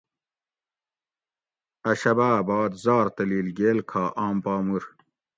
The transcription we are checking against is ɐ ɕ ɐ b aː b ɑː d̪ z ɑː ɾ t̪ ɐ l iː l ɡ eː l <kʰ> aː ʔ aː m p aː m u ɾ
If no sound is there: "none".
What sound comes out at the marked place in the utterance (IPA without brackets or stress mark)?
kʰ